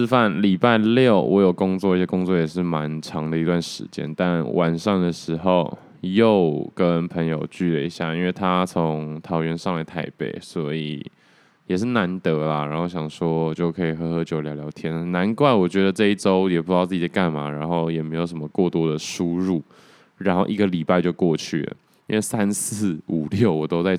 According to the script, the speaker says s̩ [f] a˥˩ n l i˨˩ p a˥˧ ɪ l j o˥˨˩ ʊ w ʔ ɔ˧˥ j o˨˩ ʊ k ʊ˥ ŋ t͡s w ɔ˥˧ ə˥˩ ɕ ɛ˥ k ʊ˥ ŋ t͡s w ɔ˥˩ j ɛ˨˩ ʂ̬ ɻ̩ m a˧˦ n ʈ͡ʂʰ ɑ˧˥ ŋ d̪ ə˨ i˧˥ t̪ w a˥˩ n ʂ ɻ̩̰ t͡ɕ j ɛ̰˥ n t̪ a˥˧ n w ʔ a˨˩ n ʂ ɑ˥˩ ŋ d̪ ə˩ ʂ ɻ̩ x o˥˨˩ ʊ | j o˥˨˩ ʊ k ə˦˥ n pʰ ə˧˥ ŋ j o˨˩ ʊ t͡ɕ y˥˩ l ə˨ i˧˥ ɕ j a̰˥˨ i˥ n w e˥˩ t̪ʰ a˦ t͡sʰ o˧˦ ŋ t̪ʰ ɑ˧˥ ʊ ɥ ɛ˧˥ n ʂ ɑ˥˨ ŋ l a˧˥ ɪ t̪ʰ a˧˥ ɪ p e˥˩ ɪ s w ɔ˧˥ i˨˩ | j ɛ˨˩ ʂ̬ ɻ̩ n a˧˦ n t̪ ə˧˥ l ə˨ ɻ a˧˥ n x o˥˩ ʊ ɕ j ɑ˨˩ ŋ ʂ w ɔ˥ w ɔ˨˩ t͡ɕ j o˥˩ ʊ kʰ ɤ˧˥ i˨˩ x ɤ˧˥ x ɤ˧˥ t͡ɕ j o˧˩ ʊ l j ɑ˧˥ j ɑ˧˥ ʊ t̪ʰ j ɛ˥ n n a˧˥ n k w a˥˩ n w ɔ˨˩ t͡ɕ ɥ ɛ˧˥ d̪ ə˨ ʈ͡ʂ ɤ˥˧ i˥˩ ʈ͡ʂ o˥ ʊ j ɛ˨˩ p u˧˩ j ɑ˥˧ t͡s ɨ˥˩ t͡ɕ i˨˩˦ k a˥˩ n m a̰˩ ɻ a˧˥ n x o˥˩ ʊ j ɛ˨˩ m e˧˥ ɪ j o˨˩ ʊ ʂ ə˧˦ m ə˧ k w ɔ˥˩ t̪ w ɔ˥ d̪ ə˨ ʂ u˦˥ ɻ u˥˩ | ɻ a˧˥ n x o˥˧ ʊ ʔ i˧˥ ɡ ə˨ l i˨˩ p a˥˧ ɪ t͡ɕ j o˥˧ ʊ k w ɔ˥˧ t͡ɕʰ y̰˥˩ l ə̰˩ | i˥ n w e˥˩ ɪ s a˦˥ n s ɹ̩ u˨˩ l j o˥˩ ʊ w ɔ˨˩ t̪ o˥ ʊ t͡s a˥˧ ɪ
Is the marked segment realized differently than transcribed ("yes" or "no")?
no